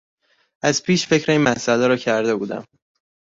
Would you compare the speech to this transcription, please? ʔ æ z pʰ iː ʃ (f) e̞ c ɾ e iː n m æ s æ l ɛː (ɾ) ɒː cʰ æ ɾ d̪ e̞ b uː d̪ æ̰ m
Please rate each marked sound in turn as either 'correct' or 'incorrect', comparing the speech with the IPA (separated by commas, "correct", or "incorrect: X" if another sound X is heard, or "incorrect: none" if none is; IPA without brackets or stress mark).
correct, correct